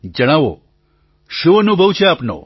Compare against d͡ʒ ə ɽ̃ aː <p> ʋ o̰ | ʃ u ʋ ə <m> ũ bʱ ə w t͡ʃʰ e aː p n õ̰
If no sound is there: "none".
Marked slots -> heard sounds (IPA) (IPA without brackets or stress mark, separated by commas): none, n